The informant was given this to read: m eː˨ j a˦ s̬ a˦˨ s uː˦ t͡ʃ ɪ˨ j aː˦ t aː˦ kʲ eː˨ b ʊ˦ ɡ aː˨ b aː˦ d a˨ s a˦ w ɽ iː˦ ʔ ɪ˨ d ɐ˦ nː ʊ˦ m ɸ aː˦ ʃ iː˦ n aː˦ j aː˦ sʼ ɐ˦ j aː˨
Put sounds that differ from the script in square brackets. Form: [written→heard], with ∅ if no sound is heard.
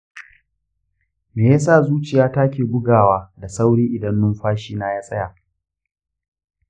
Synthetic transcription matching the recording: m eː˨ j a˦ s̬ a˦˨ [s→z] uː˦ t͡ʃ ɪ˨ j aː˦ t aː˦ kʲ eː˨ b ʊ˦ ɡ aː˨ [b→w] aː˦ d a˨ s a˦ w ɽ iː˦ ʔ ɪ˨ d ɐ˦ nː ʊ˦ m ɸ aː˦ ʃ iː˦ n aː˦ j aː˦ sʼ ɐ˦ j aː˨